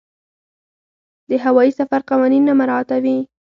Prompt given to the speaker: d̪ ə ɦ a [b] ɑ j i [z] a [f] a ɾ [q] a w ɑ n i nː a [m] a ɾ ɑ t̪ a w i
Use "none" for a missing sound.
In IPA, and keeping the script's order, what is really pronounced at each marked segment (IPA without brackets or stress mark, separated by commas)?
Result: w, s, f, q, m